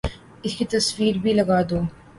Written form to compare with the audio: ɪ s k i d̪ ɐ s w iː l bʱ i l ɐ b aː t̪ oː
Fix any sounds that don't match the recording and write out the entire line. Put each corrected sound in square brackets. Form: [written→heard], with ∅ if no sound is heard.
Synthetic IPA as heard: ɪ s k i [d̪→t̪] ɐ s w iː [l→ɾ] bʱ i l ɐ [b→ɡ] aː [t̪→d̪] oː